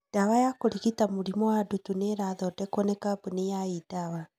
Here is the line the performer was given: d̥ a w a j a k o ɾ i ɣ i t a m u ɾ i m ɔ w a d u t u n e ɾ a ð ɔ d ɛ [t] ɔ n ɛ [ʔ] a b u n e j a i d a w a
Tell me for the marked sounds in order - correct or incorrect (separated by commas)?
incorrect, incorrect